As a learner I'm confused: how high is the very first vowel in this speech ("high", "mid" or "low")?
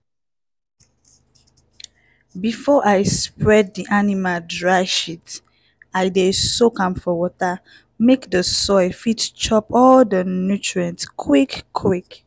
high